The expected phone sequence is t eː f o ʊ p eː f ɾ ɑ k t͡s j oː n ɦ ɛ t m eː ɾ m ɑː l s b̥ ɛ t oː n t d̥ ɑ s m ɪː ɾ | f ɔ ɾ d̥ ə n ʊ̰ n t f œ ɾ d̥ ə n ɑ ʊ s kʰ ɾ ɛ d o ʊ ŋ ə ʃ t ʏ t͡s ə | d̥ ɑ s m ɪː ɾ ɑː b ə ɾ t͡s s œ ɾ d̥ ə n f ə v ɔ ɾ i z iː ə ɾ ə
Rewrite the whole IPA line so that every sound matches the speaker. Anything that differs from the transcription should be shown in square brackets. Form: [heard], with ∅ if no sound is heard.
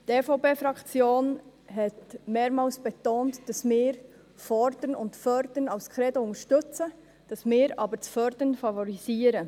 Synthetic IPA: t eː f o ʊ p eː f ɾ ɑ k t͡s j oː n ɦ ɛ t m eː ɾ m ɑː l s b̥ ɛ t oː n t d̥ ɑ s m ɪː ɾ | f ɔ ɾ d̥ ə n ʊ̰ n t f œ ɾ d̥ ə n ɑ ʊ s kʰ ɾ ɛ d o ʊ ŋ ə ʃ t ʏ t͡s ə | d̥ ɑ s m ɪː ɾ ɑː b ə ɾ t͡s [f] œ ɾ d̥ ə n f [ɑ] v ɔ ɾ i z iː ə ɾ ə